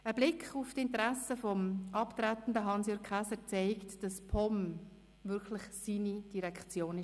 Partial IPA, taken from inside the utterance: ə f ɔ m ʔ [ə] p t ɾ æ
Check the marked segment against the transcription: incorrect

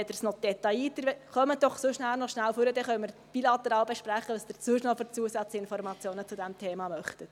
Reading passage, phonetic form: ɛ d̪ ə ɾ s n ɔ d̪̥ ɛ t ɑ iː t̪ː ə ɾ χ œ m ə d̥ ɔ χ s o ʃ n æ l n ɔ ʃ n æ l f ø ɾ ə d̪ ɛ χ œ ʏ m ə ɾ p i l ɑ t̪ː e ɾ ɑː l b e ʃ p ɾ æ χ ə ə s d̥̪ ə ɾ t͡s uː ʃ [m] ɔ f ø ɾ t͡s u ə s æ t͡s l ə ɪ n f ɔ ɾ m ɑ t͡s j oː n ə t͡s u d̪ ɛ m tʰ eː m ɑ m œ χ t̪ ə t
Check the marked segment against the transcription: incorrect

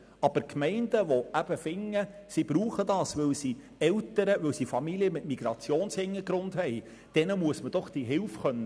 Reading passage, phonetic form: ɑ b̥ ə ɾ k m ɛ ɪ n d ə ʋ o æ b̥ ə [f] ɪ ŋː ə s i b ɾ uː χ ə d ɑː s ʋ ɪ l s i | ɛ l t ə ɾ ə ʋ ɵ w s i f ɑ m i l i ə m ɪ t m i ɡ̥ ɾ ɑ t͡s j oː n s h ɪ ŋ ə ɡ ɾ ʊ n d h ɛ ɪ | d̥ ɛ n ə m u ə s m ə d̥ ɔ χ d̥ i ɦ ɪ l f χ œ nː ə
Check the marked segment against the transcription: correct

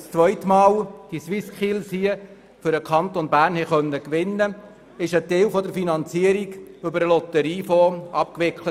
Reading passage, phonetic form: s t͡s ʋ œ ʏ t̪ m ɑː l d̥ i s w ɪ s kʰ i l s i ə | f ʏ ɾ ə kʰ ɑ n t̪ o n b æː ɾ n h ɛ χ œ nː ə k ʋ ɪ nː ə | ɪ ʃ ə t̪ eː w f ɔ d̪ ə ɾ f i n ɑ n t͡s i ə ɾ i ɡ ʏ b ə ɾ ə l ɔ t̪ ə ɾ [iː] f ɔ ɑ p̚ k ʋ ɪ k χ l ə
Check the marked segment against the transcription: correct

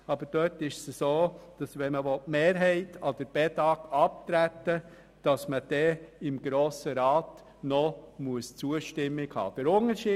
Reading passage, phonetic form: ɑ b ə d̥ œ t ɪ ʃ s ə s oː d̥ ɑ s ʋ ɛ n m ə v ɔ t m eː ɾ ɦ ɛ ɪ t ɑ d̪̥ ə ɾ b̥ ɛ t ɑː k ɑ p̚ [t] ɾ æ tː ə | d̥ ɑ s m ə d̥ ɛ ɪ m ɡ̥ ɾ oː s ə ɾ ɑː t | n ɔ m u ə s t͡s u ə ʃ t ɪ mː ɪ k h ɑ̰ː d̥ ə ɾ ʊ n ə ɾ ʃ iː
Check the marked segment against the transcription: correct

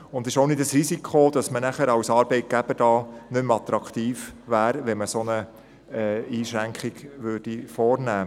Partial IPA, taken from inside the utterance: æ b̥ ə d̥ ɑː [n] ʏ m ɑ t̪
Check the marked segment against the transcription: correct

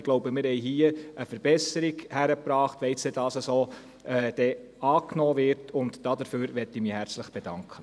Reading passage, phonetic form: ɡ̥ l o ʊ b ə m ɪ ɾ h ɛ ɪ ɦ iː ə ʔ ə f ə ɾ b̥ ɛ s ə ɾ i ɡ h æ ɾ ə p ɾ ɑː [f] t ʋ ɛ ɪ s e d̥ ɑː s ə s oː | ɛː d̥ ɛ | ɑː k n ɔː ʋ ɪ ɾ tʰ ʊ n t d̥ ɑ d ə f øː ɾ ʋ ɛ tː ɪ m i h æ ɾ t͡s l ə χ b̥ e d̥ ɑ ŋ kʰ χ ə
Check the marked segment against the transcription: incorrect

